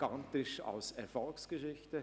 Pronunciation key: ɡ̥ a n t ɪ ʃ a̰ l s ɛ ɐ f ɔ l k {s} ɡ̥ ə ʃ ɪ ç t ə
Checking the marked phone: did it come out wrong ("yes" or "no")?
no